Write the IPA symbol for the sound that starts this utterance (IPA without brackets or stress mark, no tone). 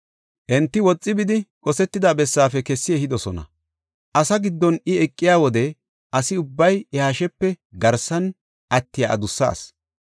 ʔ